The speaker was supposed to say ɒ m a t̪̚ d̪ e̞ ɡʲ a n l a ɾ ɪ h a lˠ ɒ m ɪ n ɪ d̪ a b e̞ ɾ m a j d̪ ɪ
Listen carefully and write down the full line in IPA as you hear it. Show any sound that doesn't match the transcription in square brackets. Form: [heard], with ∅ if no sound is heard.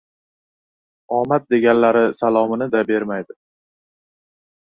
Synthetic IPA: ɒ m a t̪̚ d̪ e̞ ɡʲ a n l a ɾ ɪ [s] a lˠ ɒ m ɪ n ɪ d̪ a b e̞ ɾ m a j d̪ ɪ

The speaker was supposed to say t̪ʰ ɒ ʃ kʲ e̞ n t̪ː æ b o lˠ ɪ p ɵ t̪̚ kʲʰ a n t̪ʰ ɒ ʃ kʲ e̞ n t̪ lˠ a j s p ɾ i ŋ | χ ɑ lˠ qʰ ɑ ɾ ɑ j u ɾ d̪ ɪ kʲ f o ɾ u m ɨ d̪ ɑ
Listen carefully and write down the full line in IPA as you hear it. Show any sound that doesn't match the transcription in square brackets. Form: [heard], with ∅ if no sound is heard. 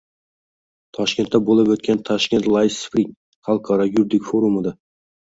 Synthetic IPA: t̪ʰ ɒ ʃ kʲ e̞ n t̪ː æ b o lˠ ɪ p ɵ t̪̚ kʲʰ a n t̪ʰ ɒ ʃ kʲ e̞ n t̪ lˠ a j s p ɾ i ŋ | χ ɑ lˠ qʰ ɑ ɾ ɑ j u ɾ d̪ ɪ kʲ f o ɾ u m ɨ d̪ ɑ

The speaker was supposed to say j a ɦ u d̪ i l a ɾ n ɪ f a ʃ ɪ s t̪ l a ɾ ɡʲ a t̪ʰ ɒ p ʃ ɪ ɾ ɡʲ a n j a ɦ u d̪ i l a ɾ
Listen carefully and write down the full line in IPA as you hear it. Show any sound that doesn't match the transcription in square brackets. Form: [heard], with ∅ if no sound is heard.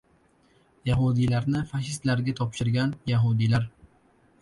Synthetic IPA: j a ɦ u d̪ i l a ɾ n ɪ f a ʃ ɪ s t̪ l a ɾ ɡʲ a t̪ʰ ɒ p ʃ ɪ ɾ ɡʲ a n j a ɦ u d̪ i l a ɾ

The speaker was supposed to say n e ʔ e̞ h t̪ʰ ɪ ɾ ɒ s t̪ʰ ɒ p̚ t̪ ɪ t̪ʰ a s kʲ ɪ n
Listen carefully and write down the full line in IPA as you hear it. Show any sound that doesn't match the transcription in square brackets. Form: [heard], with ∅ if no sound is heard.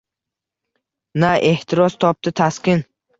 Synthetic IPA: n [a] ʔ e̞ h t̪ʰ ɪ ɾ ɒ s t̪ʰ ɒ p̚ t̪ ɪ t̪ʰ a s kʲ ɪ n

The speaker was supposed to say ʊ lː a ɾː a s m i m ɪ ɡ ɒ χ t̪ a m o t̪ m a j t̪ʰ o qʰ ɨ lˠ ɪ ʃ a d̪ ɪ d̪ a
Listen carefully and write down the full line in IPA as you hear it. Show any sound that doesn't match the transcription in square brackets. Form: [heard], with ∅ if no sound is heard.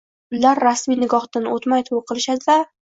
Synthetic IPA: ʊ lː a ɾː a s m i [n] ɪ ɡ ɒ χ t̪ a [n] o t̪ m a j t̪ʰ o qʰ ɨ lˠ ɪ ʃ a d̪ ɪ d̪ a

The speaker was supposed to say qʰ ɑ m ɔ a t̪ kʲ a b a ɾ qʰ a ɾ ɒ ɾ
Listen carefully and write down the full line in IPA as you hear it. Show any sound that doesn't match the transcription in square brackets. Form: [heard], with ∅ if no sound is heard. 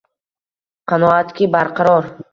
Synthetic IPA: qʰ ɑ [n] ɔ a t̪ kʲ [i] b a ɾ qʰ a ɾ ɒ ɾ

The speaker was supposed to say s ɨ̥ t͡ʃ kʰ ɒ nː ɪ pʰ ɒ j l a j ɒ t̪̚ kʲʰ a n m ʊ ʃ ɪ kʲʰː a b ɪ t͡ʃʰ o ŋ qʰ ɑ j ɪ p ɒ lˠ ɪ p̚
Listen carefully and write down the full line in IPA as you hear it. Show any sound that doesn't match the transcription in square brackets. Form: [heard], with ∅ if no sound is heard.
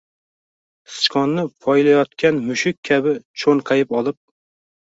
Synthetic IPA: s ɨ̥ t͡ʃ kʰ ɒ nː ɪ pʰ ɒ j l a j ɒ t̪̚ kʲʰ a n m ʊ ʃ ɪ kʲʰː a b ɪ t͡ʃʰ o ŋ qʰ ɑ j ɪ p ɒ lˠ ɪ p̚

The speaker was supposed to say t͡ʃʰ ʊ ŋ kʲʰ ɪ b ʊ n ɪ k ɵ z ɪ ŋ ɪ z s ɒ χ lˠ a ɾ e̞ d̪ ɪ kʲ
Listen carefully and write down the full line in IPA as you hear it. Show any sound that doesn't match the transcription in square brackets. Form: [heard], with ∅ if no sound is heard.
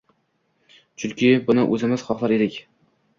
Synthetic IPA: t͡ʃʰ ʊ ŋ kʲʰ ɪ b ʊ n ɪ [ʔ] ɵ z ɪ [m] ɪ z [χ] ɒ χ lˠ a ɾ e̞ d̪ ɪ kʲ

